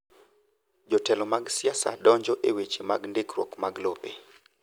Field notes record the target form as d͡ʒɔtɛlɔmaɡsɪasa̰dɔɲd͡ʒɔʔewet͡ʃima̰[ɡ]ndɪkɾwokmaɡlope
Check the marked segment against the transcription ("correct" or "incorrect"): correct